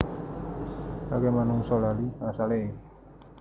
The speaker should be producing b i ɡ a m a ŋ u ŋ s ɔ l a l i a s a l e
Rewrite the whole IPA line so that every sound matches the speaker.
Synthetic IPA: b a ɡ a m a n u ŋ s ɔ l a l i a s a l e